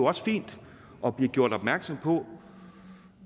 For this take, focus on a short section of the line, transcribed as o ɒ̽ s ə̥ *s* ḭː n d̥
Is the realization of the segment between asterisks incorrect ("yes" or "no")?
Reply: yes